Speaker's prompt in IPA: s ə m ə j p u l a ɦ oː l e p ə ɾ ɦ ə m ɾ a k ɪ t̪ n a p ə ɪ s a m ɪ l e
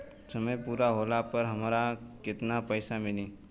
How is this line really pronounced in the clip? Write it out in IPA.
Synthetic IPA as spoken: s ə m ə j p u ɾ a ɦ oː l a p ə ɾ ɦ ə m ɾ a k ɪ t̪ n a p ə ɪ s a m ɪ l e